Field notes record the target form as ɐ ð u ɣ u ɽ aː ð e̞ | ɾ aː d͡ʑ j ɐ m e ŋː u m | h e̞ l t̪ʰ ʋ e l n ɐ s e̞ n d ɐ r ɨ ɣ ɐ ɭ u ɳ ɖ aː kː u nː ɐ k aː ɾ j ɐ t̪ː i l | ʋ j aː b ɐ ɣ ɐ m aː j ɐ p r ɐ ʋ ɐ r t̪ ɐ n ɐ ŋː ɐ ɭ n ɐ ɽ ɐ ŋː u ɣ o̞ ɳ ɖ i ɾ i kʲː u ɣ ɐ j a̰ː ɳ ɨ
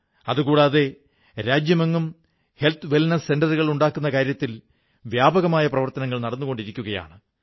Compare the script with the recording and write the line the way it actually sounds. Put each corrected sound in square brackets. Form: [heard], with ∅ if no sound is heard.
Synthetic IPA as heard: ɐ ð u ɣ [uː] ɽ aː ð e̞ | ɾ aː d͡ʑ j ɐ m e ŋː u m | h e̞ l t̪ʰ ʋ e l n ɐ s e̞ n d ɐ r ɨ ɣ ɐ ɭ u ɳ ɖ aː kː u nː ɐ k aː ɾ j ɐ t̪ː i l | ʋ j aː b ɐ ɣ ɐ m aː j ɐ p r ɐ ʋ ɐ r t̪ ɐ n ɐ ŋː ɐ ɭ n ɐ ɽ ɐ [nː] u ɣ o̞ ɳ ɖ i ɾ i kʲː u ɣ ɐ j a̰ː ɳ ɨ